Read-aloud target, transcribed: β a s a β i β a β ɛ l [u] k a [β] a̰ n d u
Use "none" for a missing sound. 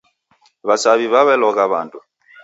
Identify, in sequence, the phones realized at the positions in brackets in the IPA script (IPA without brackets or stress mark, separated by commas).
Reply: ɔ, β